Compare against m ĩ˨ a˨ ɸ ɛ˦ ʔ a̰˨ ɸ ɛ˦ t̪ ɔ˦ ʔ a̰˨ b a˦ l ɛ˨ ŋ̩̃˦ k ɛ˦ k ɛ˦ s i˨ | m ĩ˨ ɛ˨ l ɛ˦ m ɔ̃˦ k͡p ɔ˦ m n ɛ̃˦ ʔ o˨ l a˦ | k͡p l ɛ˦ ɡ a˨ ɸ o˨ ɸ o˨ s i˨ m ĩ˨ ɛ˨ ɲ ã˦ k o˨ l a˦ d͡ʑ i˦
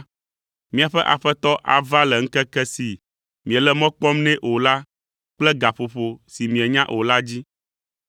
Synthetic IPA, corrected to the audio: m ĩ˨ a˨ ɸ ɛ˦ ʔ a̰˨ ɸ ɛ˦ t̪ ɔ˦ ʔ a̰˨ v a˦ l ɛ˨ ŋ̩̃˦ k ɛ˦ k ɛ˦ s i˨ | m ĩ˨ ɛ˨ l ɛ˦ m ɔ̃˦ k͡p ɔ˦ m n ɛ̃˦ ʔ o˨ l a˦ | k͡p l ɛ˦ ɡ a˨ ɸ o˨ ɸ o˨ s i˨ m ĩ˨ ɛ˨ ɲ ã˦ ʔ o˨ l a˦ d͡ʑ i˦